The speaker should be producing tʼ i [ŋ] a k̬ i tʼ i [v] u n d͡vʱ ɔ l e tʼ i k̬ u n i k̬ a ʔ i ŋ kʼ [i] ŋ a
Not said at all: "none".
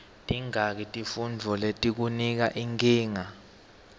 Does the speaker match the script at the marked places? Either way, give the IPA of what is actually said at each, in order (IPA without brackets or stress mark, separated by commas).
ŋ, f, iː